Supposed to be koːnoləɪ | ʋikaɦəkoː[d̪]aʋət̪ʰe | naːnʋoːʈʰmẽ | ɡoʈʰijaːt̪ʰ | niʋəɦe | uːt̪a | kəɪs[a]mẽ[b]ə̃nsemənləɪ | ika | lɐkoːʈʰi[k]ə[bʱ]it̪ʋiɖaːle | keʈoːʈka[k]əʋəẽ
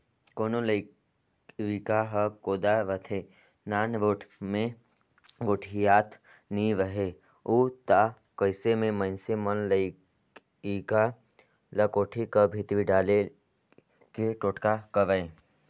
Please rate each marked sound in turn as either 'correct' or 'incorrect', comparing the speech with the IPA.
correct, incorrect: e, incorrect: m, correct, correct, correct

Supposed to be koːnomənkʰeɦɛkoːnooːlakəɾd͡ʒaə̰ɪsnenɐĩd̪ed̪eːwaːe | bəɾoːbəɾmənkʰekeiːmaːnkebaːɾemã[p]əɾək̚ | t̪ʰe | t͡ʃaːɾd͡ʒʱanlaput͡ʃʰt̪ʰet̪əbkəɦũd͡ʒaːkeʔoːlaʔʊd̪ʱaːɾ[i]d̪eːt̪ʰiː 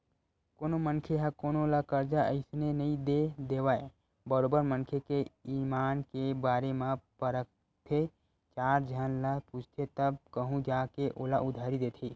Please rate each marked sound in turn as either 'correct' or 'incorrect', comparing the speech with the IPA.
correct, correct

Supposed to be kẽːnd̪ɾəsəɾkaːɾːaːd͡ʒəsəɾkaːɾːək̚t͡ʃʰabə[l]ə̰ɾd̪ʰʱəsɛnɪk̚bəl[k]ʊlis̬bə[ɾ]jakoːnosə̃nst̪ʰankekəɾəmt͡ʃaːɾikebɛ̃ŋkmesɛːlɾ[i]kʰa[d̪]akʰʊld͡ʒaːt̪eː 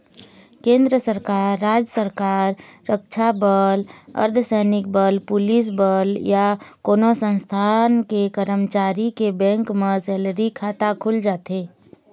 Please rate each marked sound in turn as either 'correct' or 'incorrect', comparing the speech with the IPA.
correct, incorrect: p, incorrect: l, correct, incorrect: t̪

